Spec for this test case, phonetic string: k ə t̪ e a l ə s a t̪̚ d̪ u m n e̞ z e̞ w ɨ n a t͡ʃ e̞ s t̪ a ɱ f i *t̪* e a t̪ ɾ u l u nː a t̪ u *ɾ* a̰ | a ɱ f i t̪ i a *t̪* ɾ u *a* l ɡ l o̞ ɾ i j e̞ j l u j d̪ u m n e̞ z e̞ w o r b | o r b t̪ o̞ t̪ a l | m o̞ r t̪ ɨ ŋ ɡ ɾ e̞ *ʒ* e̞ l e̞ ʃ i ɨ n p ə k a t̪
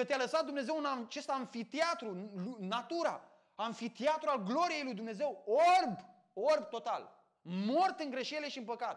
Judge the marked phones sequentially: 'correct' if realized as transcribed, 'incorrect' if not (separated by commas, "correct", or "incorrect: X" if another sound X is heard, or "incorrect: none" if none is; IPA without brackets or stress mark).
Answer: correct, correct, correct, correct, incorrect: ʃ